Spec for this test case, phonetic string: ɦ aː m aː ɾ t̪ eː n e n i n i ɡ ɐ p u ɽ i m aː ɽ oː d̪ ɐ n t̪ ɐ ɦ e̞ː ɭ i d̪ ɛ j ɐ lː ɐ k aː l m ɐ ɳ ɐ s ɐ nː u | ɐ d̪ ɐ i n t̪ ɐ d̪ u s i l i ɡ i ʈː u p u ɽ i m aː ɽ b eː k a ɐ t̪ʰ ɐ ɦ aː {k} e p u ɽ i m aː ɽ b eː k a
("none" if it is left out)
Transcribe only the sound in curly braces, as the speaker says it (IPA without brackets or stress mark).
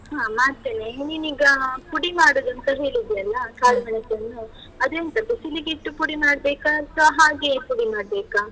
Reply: ɡ